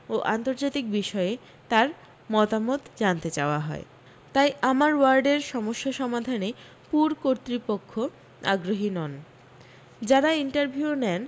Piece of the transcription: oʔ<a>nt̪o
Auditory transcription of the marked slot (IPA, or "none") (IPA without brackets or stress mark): a